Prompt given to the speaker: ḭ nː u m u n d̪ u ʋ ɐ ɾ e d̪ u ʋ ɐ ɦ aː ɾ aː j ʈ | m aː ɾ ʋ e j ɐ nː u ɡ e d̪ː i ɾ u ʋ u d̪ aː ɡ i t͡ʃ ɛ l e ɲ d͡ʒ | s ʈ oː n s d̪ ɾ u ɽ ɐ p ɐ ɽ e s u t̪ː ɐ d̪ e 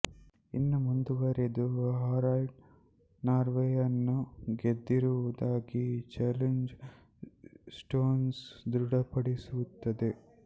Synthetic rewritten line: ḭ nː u m u n d̪ u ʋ ɐ ɾ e d̪ u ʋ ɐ ɦ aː ɾ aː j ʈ | n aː ɾ ʋ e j ɐ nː u ɡ e d̪ː i ɾ u ʋ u d̪ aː ɡ i t͡ʃ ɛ l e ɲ d͡ʒ | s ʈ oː n s d̪ ɾ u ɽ ɐ p ɐ ɽ i s u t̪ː ɐ d̪ e